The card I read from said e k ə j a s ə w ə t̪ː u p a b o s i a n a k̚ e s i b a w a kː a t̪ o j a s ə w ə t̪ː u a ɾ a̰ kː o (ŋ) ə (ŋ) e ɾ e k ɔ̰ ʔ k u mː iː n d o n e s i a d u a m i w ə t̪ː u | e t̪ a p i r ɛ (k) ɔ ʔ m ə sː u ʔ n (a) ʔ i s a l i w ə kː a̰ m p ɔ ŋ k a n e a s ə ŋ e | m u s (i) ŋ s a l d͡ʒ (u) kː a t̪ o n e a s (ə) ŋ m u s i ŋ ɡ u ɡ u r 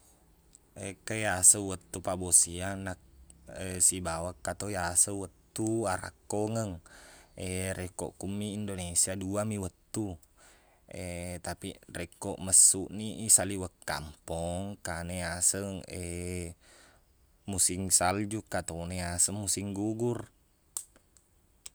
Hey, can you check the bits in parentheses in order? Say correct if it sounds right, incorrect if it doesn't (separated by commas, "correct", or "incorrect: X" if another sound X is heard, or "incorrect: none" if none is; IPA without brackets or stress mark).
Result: correct, correct, correct, incorrect: i, correct, correct, correct